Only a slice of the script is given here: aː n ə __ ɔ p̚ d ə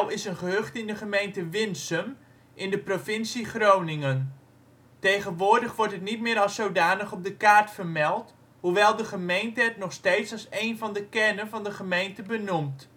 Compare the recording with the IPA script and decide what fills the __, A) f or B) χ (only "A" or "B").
B